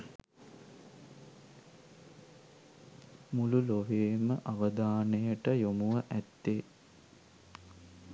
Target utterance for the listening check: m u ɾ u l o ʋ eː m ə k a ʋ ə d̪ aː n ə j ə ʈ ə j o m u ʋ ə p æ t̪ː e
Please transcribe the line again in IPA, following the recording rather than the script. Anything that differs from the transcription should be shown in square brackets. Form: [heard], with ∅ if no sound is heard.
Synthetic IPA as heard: m u [l] u l o ʋ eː m ə [ʔ] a ʋ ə d̪ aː n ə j ə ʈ ə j o m u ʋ ə [ʔ] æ t̪ː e